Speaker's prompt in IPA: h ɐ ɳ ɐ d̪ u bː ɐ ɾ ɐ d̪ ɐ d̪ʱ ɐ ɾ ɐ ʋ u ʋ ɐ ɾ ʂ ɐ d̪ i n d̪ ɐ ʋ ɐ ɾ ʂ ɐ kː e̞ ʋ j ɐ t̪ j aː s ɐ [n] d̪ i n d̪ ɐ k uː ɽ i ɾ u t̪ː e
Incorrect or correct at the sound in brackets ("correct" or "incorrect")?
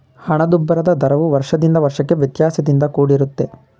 incorrect